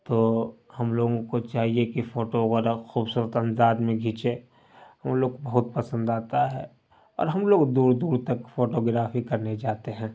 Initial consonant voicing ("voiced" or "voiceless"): voiceless